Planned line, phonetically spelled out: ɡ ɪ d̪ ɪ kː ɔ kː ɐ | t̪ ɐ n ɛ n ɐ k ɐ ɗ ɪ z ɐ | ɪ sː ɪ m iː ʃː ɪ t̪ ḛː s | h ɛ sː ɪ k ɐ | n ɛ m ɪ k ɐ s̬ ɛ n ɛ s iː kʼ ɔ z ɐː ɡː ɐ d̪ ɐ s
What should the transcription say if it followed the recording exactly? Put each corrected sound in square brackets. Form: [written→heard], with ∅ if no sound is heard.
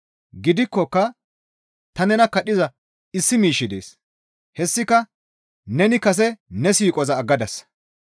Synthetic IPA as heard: ɡ ɪ d̪ ɪ kː ɔ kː ɐ | t̪ ɐ n ɛ n ɐ k ɐ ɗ ɪ z ɐ | ɪ sː ɪ m iː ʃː ɪ [t̪→d̪] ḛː s | h ɛ sː ɪ k ɐ | n ɛ [m→n] ɪ k ɐ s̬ ɛ n ɛ s iː kʼ ɔ z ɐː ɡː ɐ d̪ ɐ s